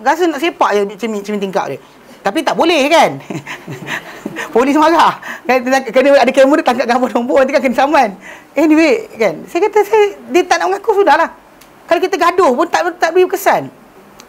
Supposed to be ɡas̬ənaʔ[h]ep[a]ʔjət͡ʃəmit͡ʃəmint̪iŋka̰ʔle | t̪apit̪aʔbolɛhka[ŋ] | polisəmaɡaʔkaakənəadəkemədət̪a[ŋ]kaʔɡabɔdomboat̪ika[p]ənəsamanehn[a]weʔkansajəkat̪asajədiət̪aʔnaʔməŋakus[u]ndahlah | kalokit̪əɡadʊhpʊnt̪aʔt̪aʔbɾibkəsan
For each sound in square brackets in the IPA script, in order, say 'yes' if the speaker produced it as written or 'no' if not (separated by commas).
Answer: no, yes, no, yes, no, no, yes